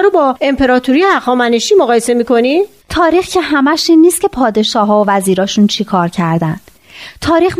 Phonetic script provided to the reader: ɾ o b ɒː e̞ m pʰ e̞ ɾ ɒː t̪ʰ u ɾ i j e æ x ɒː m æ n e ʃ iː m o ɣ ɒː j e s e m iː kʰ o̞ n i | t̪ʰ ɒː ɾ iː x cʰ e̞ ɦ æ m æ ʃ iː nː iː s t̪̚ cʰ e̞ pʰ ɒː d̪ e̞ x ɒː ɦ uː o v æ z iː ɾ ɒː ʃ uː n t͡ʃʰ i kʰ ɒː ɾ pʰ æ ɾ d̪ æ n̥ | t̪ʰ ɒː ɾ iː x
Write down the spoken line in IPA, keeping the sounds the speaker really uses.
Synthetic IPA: ɾ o b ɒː e̞ m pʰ e̞ ɾ ɒː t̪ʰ u ɾ i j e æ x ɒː m æ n e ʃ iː m o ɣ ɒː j e s e m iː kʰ o̞ n i | t̪ʰ ɒː ɾ iː x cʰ e̞ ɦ æ m æ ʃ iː nː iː s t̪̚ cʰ e̞ pʰ ɒː d̪ e̞ ʃ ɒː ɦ ɒː o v æ z iː ɾ ɒː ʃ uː n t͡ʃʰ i kʰ ɒː ɾ cʰ æ ɾ d̪ æ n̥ | t̪ʰ ɒː ɾ iː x